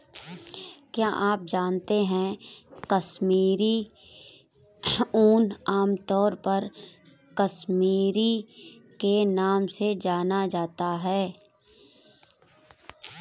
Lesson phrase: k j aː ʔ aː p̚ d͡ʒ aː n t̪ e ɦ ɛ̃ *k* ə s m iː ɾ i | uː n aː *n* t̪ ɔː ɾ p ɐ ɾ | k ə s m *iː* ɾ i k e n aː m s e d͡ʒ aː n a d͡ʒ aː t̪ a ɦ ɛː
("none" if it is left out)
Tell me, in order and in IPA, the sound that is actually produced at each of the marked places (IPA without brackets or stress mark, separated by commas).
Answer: k, m, iː